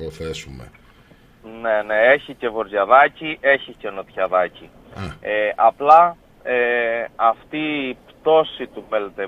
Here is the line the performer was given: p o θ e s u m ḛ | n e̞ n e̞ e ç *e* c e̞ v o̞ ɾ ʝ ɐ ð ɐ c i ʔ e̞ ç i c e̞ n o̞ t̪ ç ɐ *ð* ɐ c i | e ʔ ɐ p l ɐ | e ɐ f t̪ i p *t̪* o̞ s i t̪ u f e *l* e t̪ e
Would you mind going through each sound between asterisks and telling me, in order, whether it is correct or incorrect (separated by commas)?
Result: incorrect, correct, correct, correct